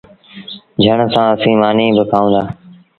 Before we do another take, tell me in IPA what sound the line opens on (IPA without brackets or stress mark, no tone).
d͡ʒʱ